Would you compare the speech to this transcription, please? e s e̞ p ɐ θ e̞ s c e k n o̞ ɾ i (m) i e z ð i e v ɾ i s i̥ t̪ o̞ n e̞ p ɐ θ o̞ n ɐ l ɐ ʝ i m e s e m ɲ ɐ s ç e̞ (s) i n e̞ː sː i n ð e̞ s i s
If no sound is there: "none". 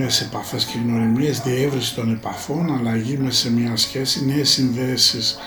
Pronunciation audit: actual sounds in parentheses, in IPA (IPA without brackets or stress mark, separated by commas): m, s